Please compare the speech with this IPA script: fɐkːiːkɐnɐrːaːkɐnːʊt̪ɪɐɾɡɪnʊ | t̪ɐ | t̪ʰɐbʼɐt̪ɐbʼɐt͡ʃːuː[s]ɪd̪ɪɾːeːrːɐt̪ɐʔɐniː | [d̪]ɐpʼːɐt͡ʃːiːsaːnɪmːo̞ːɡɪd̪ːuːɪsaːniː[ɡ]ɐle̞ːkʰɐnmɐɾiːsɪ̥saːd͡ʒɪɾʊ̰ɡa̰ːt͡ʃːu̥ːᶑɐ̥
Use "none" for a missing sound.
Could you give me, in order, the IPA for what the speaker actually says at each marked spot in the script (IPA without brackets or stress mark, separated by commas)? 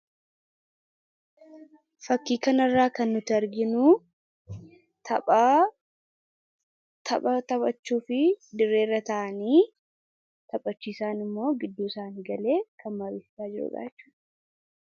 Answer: f, t̪, ɡ